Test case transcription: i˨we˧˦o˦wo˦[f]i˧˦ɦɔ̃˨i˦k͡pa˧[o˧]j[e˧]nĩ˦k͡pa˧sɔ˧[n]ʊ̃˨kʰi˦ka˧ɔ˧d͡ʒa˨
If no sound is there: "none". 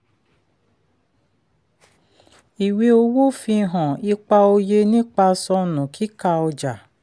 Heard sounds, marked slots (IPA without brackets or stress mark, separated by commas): f, o˧, e˧, n